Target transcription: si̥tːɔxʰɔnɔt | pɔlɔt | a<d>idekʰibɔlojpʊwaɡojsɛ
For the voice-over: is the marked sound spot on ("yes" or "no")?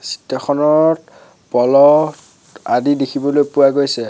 yes